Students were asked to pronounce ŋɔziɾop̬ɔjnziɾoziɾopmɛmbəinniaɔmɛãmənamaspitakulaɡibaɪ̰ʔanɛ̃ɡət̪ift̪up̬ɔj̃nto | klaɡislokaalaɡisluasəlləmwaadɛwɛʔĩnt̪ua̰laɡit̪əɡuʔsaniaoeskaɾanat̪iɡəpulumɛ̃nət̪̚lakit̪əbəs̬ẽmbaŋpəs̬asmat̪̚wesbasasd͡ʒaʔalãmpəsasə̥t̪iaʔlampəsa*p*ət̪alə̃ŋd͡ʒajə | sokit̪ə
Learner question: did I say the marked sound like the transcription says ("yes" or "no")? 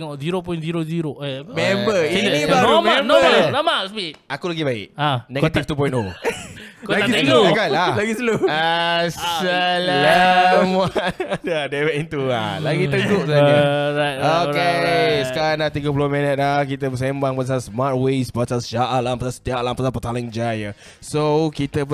yes